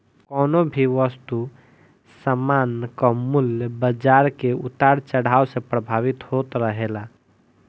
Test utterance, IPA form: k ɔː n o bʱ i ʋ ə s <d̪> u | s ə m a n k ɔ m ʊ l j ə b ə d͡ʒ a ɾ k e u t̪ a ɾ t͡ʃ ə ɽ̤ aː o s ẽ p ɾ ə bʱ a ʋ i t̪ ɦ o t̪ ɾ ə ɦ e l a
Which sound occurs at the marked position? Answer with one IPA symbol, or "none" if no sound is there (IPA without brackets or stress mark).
t̪